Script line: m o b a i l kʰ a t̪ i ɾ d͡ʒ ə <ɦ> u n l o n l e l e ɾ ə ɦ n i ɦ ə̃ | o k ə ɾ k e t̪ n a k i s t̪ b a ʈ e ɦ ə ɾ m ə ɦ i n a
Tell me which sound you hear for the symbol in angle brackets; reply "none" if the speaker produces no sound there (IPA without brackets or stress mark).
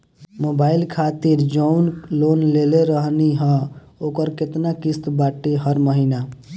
none